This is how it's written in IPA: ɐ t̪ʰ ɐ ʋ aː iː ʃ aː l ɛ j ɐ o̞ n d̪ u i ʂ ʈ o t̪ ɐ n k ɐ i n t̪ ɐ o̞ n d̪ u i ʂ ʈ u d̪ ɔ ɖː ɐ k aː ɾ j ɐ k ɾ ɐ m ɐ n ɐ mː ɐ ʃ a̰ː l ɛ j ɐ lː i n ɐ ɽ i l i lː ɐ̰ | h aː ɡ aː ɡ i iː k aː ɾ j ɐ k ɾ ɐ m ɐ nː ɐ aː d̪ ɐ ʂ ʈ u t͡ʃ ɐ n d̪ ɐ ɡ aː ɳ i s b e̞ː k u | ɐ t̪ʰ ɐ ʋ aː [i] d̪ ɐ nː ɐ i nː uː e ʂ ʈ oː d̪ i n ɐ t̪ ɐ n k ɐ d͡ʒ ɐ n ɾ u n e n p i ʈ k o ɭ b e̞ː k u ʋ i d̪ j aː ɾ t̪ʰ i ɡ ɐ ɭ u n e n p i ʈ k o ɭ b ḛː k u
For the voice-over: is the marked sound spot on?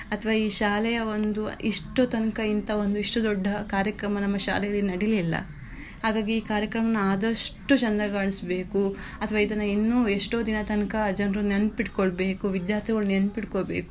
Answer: yes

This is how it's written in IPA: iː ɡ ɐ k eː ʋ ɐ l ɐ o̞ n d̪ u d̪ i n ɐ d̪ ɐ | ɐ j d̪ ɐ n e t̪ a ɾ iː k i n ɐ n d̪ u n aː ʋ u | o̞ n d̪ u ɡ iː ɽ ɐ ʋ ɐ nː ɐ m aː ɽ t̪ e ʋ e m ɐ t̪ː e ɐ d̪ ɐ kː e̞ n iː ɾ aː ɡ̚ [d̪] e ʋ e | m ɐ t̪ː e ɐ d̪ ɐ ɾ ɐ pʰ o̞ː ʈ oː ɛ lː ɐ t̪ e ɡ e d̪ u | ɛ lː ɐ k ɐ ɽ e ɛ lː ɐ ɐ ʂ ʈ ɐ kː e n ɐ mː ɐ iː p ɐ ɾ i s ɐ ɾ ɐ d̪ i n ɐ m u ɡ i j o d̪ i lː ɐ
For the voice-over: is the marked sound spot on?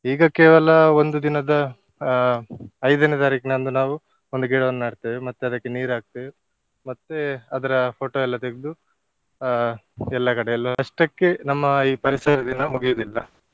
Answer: no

